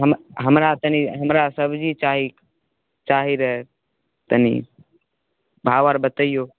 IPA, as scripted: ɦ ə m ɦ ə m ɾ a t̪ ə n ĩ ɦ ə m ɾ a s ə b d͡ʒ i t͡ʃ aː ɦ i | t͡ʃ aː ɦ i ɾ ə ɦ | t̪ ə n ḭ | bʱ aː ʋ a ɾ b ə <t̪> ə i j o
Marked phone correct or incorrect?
correct